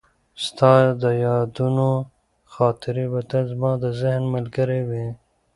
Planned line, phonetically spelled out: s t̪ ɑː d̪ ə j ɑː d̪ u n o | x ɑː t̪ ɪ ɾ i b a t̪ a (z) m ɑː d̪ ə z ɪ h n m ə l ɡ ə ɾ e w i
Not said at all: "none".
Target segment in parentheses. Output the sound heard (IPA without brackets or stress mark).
z